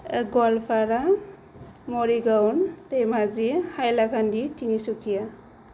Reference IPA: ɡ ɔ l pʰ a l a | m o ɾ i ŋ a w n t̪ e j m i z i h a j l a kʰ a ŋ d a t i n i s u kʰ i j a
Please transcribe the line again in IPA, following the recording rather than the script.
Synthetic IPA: ɡ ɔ l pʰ a ɾ a | m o ɾ i ɡ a w n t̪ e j m a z i h a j l a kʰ a n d i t i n i s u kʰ i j a

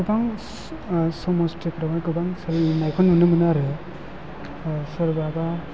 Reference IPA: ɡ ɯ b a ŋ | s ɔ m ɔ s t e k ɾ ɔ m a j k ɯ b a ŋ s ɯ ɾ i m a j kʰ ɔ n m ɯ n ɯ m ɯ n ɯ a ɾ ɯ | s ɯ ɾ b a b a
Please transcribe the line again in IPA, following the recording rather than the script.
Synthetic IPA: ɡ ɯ b a ŋ | s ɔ m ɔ s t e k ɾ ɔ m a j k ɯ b a ŋ s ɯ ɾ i n a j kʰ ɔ n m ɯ n ɯ m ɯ n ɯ a ɾ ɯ | s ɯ ɾ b a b a

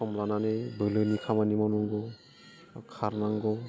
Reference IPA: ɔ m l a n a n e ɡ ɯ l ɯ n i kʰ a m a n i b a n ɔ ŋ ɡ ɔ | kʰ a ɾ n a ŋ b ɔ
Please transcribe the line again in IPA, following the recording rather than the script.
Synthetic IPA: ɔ m l a n a n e b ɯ l ɯ n i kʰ a m a n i m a n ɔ ŋ ɡ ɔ | kʰ a ɾ n a ŋ ɡ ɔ

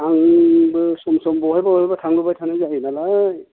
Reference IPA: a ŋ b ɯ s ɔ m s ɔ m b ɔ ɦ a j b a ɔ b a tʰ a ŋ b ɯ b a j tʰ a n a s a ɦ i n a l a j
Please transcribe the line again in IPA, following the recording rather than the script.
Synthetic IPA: a ŋ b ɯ s ɔ m s ɔ m b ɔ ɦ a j b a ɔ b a tʰ a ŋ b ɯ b a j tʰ a n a z a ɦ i n a l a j

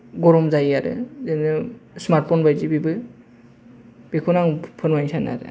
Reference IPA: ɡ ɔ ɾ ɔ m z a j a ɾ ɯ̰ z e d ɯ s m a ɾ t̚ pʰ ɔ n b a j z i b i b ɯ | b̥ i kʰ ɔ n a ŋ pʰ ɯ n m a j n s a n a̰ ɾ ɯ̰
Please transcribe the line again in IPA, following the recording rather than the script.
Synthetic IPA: ɡ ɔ ɾ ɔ m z a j a ɾ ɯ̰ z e n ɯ s m a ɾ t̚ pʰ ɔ n b a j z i b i b ɯ | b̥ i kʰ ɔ n a ŋ pʰ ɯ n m a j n s a n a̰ ɾ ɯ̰

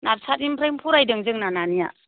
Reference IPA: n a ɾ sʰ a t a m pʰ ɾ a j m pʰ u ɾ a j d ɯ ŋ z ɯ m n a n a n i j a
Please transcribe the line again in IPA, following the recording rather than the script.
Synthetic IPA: n a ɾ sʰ a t i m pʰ ɾ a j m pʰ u ɾ a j d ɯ ŋ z ɯ ŋ n a n a n i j a

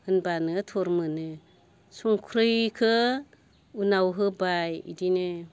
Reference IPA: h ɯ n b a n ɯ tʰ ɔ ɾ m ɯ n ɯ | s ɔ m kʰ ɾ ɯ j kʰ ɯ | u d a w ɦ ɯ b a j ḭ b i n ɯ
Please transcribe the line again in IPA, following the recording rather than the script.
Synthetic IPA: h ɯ n b a n ɯ tʰ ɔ ɾ m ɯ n ɯ | s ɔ ŋ kʰ ɾ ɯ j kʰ ɯ | u n a w ɦ ɯ b a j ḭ d i n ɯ

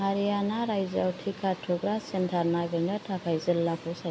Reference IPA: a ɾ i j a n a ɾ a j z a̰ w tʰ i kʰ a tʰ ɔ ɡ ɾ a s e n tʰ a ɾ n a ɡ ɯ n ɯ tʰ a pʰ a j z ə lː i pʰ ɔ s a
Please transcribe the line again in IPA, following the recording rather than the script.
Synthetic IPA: a ɾ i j a n a ɾ a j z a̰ w tʰ i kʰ a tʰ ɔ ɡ ɾ a s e n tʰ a ɾ n a ɡ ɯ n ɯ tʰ a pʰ a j z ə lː a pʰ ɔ s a

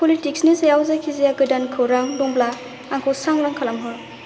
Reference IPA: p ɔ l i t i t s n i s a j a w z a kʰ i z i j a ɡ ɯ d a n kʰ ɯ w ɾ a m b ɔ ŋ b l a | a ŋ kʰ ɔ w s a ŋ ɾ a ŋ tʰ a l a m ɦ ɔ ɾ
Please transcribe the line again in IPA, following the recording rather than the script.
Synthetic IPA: p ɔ l i t i k s n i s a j a w z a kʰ i z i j a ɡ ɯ d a n kʰ ɯ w ɾ a ŋ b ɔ ŋ b l a | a ŋ kʰ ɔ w s a ŋ ɾ a ŋ kʰ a l a m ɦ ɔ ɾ

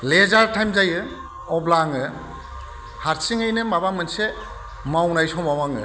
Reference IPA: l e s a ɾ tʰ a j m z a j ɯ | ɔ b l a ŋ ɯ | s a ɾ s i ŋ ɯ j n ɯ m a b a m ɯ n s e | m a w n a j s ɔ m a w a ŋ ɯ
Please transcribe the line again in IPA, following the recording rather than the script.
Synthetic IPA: l e z a ɾ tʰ a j m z a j ɯ | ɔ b l a ŋ ɯ | h a ɾ s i ŋ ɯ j n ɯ m a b a m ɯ n s e | m a w n a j s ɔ m a w a ŋ ɯ

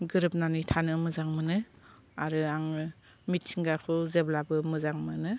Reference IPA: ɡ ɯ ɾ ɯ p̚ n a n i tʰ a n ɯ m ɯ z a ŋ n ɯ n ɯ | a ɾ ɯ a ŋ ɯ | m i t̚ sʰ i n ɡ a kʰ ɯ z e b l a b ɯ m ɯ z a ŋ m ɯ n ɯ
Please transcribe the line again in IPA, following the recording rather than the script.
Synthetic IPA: ɡ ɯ ɾ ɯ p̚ n a n i tʰ a n ɯ m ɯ z a ŋ m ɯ n ɯ | a ɾ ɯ a ŋ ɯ | m i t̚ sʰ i ŋ ɡ a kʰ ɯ z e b l a b ɯ m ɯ z a ŋ m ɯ n ɯ

